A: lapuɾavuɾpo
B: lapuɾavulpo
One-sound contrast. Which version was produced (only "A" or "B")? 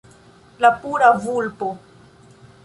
B